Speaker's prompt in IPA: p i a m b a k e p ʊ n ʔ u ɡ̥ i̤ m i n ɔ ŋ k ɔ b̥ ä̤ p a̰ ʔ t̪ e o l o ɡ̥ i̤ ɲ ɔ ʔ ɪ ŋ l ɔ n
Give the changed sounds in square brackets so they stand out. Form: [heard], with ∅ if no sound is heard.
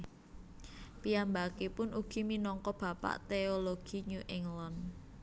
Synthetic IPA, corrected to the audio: p i a m b a k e p ʊ n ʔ u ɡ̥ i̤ m i n ɔ ŋ k ɔ b̥ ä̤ p a̰ ʔ t̪ e o l o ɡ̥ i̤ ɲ [u] ʔ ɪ ŋ l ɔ n